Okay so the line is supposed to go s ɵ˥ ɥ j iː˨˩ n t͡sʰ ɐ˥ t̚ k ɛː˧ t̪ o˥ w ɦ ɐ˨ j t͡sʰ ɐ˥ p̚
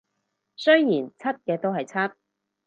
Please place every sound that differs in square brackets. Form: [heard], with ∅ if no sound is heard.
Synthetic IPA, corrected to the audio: s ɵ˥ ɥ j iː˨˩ n t͡sʰ ɐ˥ t̚ k ɛː˧ t̪ o˥ w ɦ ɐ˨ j t͡sʰ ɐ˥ [t̚]